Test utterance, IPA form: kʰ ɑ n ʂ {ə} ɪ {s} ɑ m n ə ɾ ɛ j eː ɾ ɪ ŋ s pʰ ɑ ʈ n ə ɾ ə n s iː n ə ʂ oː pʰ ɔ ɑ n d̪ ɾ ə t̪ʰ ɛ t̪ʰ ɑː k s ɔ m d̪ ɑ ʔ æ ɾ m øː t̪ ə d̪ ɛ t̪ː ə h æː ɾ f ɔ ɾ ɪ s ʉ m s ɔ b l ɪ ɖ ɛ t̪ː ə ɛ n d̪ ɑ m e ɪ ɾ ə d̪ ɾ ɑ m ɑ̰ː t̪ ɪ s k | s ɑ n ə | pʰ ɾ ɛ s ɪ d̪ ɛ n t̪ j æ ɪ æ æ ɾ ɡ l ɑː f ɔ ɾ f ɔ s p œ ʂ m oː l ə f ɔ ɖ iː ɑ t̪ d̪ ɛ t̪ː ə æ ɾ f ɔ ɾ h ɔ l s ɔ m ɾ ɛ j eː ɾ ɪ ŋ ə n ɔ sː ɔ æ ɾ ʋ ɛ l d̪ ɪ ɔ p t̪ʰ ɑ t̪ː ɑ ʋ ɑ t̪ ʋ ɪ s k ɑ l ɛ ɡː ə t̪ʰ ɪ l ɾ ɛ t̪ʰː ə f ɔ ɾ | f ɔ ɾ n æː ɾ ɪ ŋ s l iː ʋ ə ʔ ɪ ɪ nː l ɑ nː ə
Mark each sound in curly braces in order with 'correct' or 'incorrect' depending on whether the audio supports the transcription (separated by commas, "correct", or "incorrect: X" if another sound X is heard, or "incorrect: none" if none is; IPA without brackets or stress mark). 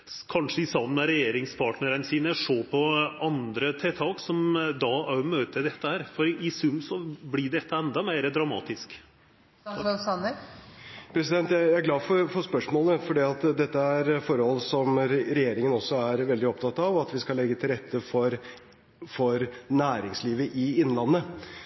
correct, correct